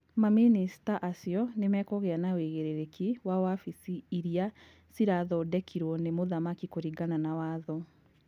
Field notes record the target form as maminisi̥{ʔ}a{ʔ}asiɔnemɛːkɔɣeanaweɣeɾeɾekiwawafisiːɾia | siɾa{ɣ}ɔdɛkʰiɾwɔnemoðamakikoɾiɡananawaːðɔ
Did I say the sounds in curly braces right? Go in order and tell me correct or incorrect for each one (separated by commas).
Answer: incorrect, correct, incorrect